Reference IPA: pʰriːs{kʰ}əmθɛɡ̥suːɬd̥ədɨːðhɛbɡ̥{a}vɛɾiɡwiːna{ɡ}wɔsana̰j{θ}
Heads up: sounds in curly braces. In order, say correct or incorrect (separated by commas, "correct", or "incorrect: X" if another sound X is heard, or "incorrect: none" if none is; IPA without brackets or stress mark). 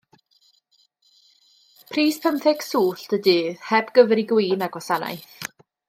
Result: incorrect: pʰ, incorrect: ə, correct, correct